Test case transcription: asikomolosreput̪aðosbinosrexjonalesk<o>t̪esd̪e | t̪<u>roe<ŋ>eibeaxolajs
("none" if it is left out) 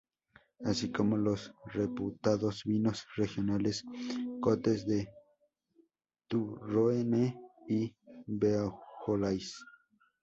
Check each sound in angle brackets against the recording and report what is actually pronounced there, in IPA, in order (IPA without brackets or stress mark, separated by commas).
o, u, n